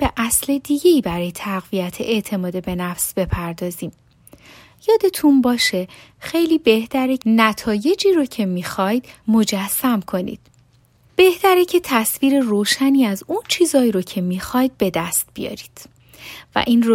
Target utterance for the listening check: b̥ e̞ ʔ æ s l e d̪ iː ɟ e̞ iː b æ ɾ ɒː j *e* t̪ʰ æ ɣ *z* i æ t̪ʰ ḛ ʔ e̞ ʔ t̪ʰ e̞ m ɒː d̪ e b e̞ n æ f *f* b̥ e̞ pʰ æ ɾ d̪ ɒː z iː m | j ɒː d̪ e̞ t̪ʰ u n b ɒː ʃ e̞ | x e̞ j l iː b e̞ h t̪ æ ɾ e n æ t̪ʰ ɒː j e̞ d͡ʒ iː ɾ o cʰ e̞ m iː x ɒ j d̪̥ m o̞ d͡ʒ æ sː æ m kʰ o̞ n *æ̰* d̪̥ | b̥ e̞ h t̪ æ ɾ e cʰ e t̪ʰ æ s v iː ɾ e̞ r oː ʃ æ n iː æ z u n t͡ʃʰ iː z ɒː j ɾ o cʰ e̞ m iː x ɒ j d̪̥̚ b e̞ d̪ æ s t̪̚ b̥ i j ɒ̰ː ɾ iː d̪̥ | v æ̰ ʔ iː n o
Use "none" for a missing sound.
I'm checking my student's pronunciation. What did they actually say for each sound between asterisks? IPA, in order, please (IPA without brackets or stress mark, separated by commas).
e, v, s, ḭ